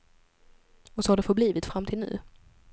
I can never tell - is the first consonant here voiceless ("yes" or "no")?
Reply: yes